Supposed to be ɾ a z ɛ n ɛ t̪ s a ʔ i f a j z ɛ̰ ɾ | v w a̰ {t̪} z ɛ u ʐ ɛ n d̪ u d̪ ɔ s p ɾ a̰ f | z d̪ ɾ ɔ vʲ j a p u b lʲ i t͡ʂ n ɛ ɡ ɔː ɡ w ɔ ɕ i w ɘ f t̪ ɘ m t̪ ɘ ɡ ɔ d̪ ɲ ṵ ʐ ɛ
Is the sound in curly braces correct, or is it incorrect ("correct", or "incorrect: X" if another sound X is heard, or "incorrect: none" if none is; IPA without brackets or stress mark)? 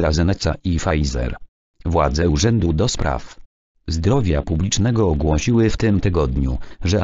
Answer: incorrect: d̪